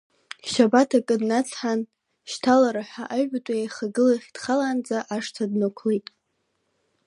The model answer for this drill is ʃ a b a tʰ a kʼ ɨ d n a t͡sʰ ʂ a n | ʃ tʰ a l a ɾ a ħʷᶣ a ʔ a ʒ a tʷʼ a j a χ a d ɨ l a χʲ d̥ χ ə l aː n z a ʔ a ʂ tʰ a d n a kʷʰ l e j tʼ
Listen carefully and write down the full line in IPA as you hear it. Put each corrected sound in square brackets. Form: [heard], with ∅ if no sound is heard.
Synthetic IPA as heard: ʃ a b a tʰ a kʼ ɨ d n a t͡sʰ [ħ] a n | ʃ tʰ a l a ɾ a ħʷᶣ a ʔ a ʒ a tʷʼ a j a χ a [ɡ] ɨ l a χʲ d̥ χ [a] l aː n [d͡z] a ʔ a ʂ tʰ a d n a kʷʰ l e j tʼ